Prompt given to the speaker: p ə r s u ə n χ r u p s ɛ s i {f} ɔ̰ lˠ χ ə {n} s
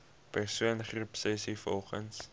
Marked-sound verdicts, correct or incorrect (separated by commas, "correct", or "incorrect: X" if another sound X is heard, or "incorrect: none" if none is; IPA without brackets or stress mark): correct, correct